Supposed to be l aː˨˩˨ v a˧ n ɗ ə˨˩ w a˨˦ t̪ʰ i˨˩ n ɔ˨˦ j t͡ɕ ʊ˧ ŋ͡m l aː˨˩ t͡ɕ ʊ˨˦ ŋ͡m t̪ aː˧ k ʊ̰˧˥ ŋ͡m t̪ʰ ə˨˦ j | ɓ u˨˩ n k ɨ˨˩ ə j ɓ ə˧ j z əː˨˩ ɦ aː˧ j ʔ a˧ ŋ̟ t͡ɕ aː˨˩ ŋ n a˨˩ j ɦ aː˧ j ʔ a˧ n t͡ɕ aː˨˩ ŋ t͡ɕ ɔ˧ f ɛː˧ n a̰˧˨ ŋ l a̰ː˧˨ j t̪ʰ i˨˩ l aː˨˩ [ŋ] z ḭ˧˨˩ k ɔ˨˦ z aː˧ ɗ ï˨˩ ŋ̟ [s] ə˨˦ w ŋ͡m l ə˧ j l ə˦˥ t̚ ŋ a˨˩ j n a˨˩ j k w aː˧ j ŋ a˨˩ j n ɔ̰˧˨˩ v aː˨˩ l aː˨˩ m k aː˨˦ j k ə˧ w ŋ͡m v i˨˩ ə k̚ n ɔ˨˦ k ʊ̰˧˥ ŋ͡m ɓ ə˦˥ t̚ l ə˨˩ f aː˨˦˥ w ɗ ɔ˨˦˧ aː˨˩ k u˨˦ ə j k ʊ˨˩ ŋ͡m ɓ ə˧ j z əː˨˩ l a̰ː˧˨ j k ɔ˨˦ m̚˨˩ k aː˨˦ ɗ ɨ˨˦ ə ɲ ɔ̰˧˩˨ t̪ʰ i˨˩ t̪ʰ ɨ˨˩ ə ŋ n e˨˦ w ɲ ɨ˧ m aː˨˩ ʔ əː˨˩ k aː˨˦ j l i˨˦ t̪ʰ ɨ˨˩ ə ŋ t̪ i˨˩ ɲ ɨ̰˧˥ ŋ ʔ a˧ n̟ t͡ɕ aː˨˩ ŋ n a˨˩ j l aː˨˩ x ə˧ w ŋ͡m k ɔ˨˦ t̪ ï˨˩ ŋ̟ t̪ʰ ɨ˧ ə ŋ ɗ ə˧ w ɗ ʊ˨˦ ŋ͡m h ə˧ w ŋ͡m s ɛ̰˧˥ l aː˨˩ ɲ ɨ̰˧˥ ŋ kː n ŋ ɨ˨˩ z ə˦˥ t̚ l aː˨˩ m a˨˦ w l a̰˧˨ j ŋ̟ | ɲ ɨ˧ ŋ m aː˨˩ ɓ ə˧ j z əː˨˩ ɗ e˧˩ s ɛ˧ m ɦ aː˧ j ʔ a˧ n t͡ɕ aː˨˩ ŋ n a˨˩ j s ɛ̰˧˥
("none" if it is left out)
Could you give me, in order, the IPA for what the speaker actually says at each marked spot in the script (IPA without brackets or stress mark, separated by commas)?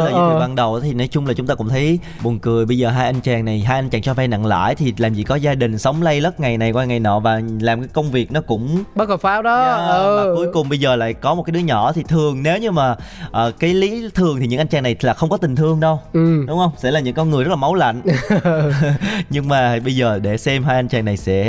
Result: m, s